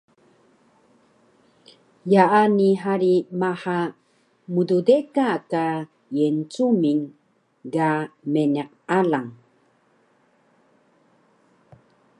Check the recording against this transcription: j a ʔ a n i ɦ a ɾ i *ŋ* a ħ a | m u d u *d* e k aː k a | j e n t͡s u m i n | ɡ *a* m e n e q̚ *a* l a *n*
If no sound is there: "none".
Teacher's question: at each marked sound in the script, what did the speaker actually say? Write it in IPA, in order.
m, d, a, a, ŋ

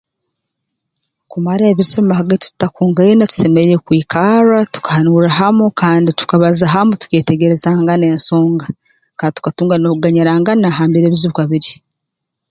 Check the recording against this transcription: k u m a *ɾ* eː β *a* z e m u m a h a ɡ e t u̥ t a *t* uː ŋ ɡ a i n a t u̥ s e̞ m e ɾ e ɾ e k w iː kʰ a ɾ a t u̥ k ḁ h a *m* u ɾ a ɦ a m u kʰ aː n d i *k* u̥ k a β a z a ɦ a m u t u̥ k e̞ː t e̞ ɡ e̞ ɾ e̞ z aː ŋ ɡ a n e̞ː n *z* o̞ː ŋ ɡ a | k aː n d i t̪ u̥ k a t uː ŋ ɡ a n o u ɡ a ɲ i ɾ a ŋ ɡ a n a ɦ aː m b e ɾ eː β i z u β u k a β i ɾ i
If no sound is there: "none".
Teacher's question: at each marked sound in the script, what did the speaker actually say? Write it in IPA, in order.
ɾ, i, k, n, t, s

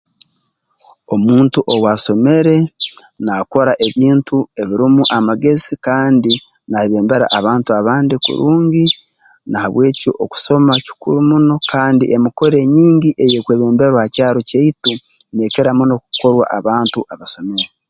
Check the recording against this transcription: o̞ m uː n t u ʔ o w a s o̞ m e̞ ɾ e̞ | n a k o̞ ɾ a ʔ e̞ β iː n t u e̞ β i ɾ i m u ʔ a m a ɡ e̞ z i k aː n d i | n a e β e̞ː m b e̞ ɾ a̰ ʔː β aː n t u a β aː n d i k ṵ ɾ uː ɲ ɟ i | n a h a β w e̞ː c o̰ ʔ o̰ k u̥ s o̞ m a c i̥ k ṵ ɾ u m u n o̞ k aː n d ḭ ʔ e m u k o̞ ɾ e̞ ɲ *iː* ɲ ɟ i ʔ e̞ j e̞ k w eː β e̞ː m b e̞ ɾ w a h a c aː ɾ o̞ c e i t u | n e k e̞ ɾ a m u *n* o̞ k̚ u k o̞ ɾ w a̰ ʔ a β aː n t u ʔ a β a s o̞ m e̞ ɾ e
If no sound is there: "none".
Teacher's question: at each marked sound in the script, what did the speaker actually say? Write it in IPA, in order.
iː, n

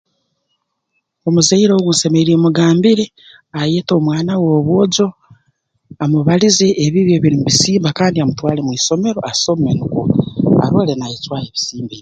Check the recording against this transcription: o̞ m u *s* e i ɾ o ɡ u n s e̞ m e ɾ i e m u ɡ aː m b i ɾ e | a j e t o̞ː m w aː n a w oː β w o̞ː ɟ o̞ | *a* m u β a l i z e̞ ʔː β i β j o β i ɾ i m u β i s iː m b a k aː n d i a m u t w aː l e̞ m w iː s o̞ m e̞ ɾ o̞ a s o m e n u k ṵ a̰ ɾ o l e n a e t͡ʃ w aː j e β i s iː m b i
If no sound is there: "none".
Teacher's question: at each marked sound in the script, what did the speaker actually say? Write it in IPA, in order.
z, a

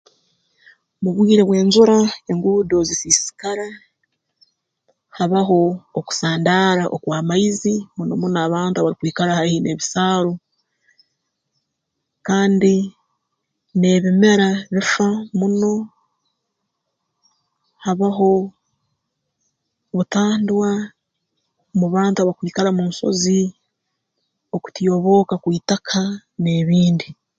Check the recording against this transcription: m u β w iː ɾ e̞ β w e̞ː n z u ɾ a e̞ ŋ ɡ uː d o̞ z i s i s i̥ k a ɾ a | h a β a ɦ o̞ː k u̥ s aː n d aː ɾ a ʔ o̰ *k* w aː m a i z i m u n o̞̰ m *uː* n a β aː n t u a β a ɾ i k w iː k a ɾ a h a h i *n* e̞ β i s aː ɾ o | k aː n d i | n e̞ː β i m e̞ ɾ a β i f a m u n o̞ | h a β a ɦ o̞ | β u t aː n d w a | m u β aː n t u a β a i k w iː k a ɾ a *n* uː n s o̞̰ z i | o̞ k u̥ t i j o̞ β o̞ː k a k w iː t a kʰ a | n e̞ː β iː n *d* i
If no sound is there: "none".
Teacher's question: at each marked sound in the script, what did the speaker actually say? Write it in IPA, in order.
k, u, n, m, d

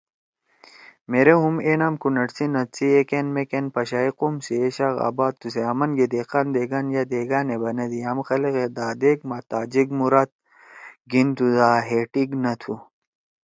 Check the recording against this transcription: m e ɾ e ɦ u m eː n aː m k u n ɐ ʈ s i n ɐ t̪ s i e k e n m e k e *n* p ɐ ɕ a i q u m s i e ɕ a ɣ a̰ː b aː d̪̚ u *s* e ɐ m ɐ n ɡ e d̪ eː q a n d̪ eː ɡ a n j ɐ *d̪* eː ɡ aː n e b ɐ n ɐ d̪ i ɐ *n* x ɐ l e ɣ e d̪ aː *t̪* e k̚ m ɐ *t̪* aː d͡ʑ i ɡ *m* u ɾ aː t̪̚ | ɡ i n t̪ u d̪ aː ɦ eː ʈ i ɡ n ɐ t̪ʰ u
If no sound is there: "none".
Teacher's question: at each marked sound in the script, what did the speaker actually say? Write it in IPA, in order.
n, s, d̪, m, d̪, t̪, m

